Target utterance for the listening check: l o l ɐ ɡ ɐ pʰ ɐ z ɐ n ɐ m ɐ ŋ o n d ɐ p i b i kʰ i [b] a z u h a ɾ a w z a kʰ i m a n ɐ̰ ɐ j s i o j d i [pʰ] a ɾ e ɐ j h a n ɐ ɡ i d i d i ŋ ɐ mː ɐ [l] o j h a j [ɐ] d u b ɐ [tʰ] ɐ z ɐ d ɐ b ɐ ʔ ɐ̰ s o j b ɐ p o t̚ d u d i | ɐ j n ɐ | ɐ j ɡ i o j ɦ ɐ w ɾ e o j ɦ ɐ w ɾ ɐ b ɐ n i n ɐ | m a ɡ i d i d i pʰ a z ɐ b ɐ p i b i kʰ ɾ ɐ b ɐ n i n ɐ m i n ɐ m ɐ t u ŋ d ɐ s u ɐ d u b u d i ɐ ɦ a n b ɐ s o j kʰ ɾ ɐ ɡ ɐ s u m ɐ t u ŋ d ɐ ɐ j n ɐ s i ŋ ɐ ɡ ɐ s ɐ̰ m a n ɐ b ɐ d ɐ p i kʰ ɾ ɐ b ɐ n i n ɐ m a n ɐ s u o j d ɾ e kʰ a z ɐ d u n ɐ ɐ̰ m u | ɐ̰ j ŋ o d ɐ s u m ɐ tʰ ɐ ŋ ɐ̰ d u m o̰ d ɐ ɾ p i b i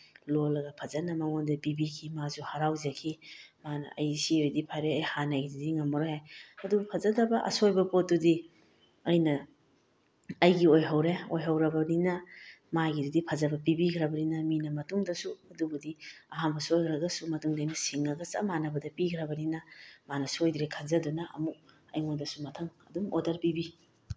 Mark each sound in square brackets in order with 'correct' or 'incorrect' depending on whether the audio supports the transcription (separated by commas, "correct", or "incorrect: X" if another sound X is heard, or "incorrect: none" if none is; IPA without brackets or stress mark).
incorrect: m, correct, incorrect: ɾ, correct, incorrect: pʰ